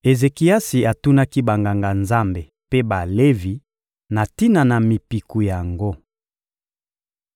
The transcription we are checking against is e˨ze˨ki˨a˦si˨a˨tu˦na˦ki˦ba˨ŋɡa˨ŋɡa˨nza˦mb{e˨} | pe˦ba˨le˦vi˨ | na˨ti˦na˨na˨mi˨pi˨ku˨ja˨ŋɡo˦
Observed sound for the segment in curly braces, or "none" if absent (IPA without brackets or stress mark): e˨